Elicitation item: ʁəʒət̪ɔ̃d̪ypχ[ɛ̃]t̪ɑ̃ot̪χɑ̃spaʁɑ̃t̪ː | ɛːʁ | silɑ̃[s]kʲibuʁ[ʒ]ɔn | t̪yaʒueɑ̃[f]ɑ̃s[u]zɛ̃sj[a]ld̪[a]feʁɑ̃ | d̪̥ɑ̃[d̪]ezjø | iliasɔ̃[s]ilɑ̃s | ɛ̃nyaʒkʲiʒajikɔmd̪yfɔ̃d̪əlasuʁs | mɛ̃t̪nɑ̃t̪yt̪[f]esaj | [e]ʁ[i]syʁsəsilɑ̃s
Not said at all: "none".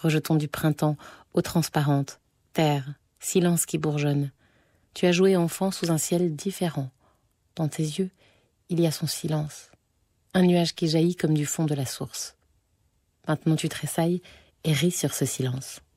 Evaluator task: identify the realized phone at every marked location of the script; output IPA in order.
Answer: ɛ̃, s, ʒ, f, u, ɛ, i, t̪, s, χ, e, i

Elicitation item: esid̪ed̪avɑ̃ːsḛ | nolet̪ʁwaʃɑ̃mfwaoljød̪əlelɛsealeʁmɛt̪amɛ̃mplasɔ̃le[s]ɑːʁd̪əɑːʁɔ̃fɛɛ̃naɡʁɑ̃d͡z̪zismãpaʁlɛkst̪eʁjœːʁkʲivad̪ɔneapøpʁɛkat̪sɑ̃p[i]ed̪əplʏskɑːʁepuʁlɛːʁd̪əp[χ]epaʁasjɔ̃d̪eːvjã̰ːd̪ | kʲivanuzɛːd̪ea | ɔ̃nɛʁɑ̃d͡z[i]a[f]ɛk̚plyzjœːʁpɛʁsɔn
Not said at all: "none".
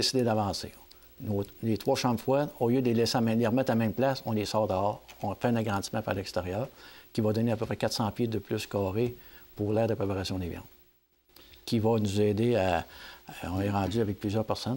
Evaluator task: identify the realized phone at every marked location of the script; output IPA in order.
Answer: s, j, ʁ, y, v

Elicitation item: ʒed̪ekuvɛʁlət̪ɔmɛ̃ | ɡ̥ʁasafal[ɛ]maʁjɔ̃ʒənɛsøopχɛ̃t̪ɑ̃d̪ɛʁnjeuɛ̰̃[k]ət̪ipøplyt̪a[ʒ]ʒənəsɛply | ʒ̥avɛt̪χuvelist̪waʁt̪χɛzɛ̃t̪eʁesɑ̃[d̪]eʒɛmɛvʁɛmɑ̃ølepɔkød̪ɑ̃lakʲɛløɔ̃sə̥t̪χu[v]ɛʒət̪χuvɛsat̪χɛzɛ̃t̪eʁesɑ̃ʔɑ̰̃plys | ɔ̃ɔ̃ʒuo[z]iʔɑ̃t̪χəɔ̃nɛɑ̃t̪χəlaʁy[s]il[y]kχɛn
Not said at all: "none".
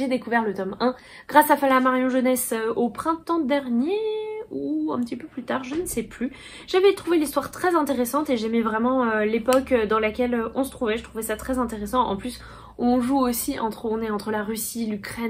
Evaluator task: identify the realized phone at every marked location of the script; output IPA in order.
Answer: a, p, ʁ, t̪, v, s, s, y

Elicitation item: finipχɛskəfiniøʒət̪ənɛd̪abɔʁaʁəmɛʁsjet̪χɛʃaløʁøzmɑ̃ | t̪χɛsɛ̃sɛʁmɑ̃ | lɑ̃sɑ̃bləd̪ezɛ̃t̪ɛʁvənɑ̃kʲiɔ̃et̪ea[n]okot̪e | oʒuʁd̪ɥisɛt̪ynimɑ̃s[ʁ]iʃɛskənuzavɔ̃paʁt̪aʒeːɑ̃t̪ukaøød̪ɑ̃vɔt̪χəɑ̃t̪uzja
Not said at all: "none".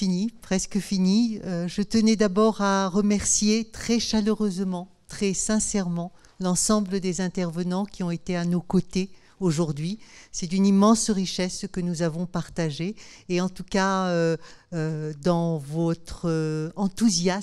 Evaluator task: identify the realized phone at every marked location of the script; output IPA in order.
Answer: n, ʁ

